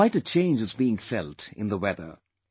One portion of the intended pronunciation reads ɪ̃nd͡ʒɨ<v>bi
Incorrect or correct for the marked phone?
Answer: incorrect: z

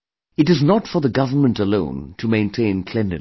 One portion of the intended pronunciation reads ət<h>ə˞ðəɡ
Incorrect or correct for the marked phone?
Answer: incorrect: f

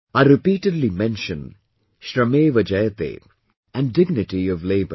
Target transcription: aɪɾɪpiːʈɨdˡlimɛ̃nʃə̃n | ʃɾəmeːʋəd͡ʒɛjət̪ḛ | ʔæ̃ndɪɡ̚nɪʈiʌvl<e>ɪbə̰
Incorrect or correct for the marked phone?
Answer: correct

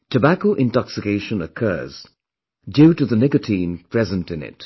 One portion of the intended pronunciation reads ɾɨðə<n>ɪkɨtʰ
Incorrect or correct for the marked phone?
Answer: correct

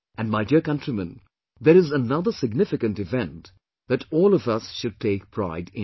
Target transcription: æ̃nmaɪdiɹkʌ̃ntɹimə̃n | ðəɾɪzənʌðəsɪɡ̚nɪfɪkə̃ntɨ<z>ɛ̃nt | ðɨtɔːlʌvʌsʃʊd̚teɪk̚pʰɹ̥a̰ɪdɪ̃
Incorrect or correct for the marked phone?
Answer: incorrect: v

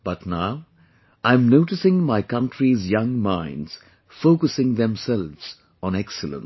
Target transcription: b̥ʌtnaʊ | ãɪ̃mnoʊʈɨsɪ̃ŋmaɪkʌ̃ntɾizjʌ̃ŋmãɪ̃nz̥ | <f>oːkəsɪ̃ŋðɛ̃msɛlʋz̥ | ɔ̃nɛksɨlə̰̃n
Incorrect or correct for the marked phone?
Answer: correct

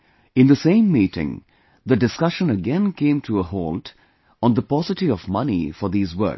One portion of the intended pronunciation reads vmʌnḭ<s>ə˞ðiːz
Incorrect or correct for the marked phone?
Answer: incorrect: f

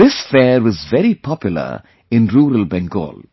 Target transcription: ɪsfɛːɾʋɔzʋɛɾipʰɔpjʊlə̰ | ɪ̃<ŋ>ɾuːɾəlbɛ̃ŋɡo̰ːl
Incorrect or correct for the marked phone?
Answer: incorrect: n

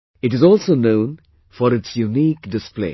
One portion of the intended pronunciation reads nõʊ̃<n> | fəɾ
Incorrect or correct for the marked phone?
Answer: correct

